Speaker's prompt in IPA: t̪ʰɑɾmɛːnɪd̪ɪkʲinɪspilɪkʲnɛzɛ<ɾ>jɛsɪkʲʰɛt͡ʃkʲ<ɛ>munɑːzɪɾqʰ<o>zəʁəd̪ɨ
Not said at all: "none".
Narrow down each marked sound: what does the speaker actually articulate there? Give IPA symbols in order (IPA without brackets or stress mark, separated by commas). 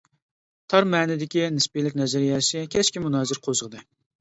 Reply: ɾ, i, o